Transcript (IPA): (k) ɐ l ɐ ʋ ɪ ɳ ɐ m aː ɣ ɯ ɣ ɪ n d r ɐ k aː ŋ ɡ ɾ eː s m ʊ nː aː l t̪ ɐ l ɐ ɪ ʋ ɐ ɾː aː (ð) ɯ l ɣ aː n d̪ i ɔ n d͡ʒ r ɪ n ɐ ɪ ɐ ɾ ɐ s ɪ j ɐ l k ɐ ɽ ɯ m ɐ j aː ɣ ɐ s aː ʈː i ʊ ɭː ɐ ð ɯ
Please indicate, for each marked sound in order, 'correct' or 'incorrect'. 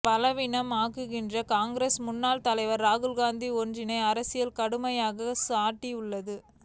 incorrect: p, incorrect: ɣ

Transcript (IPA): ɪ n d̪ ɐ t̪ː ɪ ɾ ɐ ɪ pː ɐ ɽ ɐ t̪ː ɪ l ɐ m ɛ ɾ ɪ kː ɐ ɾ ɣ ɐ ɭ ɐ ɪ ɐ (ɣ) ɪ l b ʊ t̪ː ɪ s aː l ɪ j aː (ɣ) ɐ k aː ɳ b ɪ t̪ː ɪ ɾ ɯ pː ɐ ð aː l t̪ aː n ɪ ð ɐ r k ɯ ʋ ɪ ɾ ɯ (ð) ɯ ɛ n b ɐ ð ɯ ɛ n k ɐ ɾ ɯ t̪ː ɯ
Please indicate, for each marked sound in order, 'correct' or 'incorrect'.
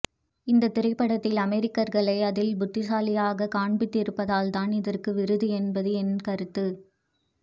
incorrect: ð, correct, correct

